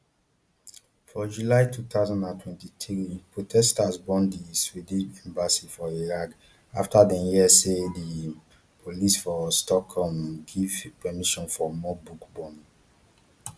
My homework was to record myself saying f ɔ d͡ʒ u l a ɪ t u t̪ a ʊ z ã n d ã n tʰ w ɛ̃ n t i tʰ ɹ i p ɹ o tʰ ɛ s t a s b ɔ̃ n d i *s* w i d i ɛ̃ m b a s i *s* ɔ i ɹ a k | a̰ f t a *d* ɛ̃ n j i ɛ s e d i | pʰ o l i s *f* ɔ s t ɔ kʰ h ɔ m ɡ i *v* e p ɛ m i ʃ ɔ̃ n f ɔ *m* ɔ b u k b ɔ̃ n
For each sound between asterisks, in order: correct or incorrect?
correct, incorrect, correct, correct, correct, correct

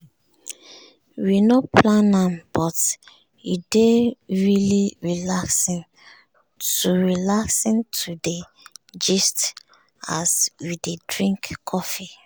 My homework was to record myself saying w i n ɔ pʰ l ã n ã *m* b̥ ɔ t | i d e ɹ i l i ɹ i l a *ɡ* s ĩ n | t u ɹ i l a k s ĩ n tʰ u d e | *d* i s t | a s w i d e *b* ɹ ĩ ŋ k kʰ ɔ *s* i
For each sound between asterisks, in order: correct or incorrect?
correct, incorrect, incorrect, incorrect, incorrect

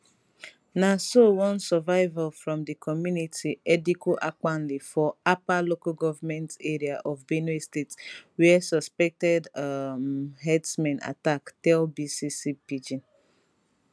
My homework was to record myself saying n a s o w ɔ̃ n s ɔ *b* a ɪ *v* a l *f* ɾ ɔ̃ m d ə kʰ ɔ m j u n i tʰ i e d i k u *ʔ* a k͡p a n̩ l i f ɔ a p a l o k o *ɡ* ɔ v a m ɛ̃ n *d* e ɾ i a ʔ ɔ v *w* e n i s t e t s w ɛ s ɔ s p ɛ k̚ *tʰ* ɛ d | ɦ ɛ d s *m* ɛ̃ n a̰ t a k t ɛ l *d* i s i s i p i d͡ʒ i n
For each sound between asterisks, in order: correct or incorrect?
incorrect, correct, correct, correct, correct, incorrect, incorrect, incorrect, correct, incorrect

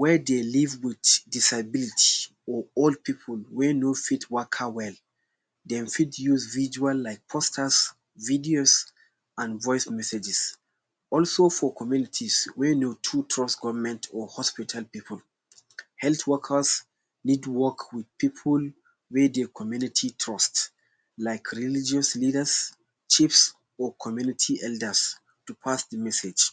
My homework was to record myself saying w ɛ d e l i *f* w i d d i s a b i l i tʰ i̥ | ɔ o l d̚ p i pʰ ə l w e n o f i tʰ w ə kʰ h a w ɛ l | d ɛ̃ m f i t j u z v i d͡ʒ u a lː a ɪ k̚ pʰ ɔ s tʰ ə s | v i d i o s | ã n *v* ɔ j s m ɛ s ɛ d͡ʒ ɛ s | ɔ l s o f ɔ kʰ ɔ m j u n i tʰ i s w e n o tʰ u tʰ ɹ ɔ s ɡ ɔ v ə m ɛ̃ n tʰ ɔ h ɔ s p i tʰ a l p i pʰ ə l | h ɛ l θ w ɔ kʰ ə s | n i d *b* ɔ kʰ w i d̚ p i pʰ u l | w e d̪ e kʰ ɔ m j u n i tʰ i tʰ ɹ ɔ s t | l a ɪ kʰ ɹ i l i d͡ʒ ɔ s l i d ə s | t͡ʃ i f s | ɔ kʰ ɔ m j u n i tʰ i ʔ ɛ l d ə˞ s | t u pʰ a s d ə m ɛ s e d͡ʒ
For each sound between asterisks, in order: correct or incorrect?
incorrect, correct, incorrect

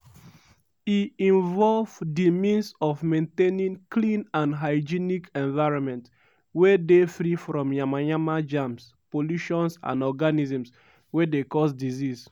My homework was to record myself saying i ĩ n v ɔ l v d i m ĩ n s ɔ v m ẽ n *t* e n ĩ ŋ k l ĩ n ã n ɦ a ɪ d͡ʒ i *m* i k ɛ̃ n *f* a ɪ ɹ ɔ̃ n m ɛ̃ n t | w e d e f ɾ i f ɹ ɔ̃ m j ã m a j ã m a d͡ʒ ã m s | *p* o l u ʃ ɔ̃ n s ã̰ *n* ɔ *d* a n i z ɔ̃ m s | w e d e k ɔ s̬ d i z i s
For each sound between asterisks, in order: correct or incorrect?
correct, incorrect, incorrect, correct, correct, incorrect

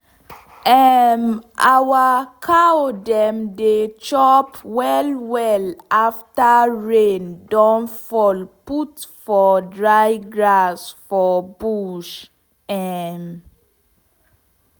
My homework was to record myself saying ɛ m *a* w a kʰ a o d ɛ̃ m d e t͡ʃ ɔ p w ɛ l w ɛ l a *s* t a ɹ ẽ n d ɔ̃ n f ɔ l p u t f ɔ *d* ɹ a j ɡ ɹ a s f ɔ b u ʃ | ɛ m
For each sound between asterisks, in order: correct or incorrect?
correct, incorrect, correct

